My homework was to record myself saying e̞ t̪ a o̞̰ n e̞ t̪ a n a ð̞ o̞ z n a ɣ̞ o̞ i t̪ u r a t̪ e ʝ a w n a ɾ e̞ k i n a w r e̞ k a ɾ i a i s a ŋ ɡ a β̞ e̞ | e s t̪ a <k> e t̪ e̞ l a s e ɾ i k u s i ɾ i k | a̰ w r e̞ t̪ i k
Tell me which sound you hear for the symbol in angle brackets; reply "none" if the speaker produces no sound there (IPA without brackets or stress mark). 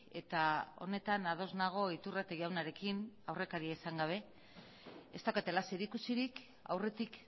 k